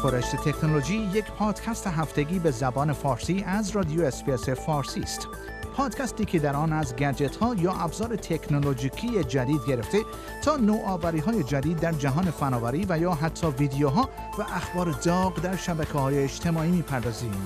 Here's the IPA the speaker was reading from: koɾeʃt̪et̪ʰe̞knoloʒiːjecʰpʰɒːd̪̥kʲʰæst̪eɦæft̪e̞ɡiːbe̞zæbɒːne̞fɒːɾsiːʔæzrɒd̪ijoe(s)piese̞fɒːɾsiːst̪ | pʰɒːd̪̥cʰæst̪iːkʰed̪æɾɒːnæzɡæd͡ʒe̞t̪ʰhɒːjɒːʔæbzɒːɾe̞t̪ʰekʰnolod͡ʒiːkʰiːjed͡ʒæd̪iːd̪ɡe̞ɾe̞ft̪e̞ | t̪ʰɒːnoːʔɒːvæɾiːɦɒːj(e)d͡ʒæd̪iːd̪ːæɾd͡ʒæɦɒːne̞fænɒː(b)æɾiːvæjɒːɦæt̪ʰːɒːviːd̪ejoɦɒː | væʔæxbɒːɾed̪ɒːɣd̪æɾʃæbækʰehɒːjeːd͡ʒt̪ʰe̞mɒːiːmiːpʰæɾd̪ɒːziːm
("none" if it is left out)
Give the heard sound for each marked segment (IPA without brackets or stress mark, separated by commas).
s, e, v